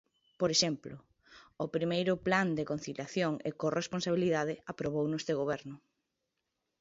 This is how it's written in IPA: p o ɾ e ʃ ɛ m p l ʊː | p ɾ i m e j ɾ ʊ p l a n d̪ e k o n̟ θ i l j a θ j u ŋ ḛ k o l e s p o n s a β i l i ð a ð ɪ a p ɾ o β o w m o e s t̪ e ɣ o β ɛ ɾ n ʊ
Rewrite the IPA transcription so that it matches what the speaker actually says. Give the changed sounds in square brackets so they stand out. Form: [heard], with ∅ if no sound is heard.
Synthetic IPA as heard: p o ɾ e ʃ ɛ m p l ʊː | p ɾ i m e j ɾ ʊ p l a n d̪ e k o n̟ θ i l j a θ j [o] ŋ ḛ k o [r] e s p o n s a β i l i ð a ð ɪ a p ɾ o β o w [n] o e s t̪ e ɣ o β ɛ ɾ n ʊ